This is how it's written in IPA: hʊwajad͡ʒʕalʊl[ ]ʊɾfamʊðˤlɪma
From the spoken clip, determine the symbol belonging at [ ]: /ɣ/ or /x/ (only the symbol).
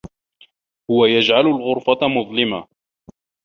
ɣ